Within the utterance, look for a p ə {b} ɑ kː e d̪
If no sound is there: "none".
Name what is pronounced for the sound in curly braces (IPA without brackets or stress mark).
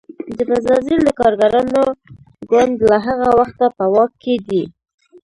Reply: w